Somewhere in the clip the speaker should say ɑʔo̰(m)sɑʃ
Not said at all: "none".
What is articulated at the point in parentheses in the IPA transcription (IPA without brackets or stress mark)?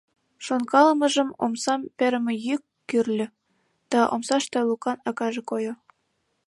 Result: m